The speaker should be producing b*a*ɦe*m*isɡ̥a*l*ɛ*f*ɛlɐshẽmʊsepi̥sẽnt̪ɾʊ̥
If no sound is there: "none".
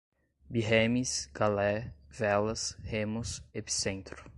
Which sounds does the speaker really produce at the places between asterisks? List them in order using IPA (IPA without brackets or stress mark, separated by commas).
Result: i, m, l, v